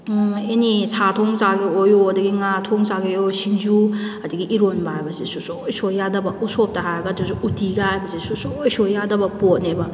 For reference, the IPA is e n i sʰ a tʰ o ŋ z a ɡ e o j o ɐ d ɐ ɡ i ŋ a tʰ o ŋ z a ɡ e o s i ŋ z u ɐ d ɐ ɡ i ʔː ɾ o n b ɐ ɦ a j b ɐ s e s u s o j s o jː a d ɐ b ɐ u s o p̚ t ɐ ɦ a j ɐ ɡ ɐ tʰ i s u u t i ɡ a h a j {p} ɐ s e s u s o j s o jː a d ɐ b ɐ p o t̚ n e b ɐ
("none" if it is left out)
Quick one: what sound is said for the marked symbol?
b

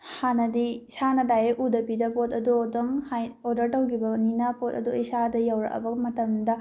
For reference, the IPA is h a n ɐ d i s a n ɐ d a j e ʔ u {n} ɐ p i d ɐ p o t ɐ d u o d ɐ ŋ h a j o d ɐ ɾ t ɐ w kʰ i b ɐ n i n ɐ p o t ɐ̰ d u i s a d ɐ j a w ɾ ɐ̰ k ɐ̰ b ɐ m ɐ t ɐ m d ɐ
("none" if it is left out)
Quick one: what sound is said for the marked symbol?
d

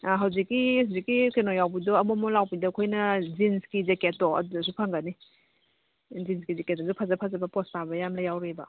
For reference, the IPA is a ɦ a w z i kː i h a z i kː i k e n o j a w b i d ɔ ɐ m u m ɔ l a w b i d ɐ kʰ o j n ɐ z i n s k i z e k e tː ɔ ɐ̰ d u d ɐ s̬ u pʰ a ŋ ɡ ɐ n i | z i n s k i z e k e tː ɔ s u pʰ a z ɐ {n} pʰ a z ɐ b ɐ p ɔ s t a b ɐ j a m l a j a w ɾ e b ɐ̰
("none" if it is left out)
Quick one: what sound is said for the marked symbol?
none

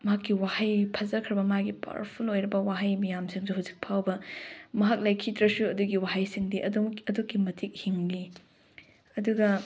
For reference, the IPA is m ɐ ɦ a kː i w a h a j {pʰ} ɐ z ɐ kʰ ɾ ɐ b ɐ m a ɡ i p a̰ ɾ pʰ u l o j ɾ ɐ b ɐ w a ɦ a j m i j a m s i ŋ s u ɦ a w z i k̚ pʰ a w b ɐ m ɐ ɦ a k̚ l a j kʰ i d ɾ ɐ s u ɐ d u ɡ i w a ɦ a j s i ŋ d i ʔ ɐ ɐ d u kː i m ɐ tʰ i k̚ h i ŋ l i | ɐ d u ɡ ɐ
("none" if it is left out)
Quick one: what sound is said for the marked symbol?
pʰ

